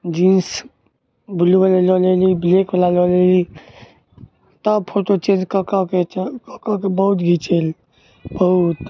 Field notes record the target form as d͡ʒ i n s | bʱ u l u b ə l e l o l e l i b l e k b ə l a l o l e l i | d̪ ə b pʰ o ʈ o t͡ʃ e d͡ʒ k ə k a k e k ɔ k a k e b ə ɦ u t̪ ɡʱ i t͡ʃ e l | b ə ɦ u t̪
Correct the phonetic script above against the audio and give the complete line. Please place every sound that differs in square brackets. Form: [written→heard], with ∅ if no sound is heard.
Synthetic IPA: d͡ʒ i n s | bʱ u l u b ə l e l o l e l i b l e k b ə l a l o l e l i | [d̪→t̪] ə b pʰ o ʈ o t͡ʃ e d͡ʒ k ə k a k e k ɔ k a k e b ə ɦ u t̪ ɡʱ i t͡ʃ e l | b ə ɦ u t̪